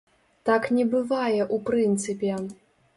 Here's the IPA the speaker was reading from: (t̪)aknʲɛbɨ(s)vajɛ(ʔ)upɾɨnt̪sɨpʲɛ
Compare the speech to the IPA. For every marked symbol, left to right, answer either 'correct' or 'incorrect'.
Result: correct, incorrect, correct

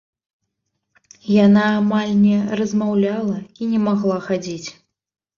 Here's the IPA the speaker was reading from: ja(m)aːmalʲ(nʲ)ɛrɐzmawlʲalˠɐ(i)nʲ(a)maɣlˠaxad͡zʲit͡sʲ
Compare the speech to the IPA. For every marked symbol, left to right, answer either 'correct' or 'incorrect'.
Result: incorrect, correct, correct, incorrect

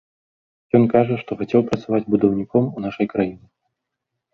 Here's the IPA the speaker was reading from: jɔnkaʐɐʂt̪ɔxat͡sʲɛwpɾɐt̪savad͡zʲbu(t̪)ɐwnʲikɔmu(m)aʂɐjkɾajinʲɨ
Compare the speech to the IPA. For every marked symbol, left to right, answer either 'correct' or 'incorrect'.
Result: incorrect, incorrect

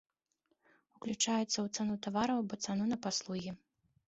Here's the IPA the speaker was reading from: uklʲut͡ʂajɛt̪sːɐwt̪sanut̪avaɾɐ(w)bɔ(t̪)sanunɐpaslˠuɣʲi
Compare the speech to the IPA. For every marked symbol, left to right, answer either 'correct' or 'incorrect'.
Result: correct, correct

